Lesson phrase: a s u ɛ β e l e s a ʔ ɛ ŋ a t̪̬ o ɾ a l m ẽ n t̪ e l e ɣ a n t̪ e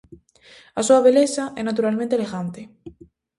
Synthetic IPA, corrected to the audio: a s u a β e l e s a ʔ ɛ n a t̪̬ u ɾ a l m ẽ n t̪ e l e ɣ a n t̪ e